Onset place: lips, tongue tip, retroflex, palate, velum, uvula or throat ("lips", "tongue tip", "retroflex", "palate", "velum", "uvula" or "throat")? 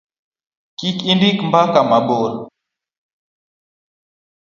velum